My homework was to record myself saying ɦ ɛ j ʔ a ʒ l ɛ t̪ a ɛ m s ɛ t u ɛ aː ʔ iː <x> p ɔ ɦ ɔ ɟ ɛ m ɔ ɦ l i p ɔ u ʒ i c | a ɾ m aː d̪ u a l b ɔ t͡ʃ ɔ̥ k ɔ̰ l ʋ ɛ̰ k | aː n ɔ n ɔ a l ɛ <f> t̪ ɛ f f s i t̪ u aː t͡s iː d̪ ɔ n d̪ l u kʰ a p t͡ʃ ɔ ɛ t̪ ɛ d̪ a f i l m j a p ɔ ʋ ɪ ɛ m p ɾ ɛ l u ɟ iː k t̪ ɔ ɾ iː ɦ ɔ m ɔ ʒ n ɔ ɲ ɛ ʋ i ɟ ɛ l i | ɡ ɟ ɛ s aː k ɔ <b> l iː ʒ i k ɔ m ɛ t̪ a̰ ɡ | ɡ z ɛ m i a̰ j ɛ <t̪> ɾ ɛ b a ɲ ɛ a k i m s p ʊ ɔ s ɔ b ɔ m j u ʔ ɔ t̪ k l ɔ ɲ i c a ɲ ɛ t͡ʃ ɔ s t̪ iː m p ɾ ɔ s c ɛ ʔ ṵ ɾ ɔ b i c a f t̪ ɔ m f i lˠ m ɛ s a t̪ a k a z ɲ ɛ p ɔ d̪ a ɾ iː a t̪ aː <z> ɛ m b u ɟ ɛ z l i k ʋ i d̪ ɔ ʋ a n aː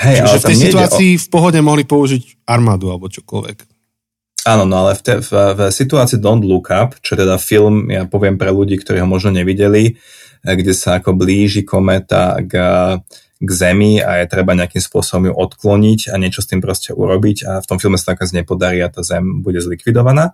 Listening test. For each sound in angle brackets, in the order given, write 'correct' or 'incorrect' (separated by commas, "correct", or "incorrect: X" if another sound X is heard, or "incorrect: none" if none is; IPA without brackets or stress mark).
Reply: incorrect: f, correct, correct, correct, correct